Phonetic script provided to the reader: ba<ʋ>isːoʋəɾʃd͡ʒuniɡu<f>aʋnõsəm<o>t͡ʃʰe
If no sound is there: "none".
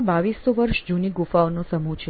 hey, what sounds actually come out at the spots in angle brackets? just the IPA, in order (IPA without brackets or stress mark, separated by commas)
ʋ, f, u